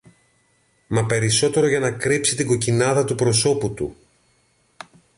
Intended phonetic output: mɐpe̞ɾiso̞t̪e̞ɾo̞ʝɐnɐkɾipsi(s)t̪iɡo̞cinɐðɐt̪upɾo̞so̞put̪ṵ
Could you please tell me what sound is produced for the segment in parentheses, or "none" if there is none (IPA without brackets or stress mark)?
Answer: none